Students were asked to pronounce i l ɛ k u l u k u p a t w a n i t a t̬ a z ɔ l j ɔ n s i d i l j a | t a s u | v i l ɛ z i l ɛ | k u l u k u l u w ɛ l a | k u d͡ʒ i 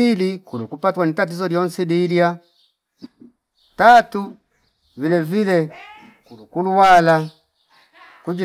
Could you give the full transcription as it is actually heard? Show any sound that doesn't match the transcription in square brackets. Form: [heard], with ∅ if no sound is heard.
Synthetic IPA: i l [i] k u l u k u p a t w a n i t a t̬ [i] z ɔ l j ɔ n s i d i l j a | t a [t] u | v i l ɛ [v] i l ɛ | k u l u k u l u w [a] l a | k u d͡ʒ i

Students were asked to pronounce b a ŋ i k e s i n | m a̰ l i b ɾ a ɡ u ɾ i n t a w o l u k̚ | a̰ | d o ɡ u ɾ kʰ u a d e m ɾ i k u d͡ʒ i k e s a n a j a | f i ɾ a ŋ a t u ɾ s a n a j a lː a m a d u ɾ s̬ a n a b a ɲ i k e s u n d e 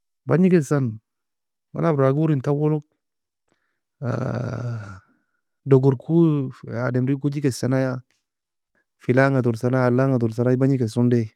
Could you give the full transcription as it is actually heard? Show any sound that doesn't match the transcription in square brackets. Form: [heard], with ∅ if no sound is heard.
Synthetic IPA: b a [ɲ] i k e s [a] n | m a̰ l [a] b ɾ a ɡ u ɾ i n t a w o l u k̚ | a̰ | d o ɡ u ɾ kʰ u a d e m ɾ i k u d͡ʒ i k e s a n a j a | f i [l] a ŋ a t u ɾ s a n a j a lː a [ŋ] a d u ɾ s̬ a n a b a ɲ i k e s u n d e

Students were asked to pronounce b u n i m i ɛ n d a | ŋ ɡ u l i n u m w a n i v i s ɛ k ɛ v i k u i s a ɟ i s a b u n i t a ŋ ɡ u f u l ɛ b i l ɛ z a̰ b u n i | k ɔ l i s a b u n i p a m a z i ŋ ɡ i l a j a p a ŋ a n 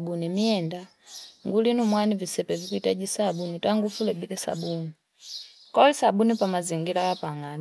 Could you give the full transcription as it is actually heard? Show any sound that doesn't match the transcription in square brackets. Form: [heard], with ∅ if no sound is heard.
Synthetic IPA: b u n i m i ɛ n d a | ŋ ɡ u l i n u m w a n i v i s ɛ [p] ɛ v i k u i [t] a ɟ i s a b u n i t a ŋ ɡ u f u l ɛ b i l ɛ [s] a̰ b u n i | k ɔ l i s a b u n i p a m a z i ŋ ɡ i l a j a p a ŋ a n

